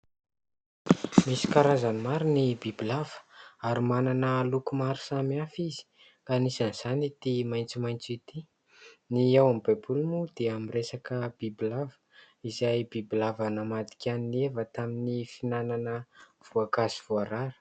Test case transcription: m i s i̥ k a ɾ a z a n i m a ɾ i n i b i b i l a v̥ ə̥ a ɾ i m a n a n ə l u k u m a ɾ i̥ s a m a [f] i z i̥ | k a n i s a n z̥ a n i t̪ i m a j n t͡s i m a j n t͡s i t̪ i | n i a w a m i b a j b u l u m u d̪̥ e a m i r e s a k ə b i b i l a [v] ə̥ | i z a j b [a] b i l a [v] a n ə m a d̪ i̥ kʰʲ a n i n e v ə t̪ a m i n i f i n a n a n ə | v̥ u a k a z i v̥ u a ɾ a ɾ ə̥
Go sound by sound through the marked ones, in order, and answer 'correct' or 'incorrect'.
correct, correct, incorrect: i, correct

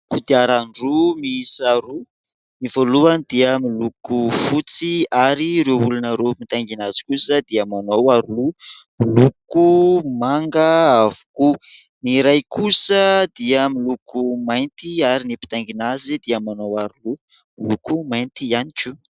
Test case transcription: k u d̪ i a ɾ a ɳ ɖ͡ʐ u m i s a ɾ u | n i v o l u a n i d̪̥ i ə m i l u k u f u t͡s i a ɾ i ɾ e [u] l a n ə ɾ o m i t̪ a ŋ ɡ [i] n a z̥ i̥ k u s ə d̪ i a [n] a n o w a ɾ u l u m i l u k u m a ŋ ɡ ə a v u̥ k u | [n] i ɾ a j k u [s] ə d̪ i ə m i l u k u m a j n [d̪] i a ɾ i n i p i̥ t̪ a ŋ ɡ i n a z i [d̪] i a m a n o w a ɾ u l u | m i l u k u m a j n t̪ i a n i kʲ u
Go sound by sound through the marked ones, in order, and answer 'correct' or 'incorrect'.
correct, correct, incorrect: m, correct, correct, incorrect: t̪, correct

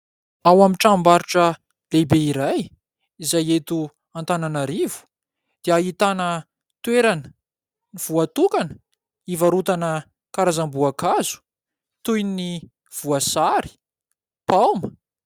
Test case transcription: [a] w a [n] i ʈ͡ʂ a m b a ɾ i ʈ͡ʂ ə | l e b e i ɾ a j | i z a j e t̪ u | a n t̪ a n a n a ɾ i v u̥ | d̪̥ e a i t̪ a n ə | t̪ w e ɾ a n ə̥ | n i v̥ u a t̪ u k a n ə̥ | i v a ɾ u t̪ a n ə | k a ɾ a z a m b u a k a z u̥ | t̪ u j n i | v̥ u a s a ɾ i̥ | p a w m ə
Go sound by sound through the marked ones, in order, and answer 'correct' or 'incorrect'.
correct, incorrect: m

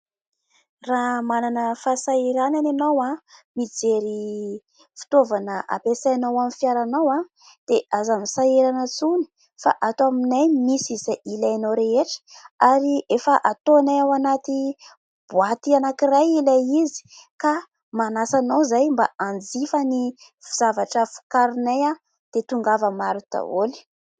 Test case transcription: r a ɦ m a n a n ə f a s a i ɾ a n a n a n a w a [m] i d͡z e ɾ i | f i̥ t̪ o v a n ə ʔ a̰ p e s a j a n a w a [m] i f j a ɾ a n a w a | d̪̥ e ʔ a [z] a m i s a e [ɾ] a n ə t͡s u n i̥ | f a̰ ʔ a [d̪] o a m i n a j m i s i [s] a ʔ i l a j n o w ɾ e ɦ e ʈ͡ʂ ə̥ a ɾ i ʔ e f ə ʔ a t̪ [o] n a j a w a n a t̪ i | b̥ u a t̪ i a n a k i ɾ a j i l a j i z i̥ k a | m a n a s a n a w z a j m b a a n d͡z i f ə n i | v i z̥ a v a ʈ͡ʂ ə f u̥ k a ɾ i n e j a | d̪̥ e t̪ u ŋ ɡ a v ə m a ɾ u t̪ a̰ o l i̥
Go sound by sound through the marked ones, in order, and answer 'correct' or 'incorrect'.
correct, correct, correct, correct, incorrect: t̪, incorrect: z, correct

